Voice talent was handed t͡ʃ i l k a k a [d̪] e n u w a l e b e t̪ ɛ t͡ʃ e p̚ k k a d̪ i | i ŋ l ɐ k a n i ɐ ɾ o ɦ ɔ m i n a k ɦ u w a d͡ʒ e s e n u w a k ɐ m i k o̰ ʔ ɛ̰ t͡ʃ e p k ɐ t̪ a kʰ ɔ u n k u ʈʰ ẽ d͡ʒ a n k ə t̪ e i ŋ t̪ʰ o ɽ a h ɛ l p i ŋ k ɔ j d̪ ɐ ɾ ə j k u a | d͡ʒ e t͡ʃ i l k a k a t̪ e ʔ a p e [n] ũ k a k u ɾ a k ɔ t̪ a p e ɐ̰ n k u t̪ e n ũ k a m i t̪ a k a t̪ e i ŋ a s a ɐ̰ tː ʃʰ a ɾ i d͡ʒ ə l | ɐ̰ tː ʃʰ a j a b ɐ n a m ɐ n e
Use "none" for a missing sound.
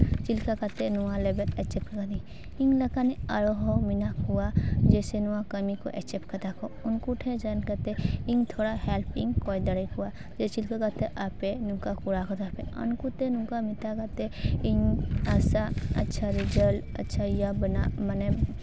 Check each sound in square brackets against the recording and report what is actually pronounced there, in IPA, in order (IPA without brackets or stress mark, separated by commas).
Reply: t̪, n